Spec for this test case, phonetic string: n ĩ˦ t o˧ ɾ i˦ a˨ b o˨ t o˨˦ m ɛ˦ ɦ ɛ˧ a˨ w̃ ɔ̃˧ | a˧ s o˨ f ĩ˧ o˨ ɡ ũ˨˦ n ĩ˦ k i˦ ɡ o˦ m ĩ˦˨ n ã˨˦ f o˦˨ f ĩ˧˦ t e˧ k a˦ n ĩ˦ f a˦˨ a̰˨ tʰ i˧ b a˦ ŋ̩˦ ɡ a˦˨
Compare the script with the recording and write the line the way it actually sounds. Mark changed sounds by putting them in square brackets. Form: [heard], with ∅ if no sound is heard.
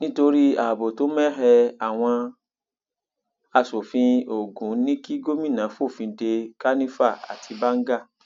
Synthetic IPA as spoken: n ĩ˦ t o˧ ɾ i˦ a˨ b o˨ t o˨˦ m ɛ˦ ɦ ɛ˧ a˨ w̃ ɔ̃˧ | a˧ s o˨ f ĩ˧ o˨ ɡ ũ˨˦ n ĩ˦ k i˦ ɡ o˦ m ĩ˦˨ n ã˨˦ f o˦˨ f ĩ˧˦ [d] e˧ k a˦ n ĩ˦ f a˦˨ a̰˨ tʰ i˧ b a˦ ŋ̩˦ ɡ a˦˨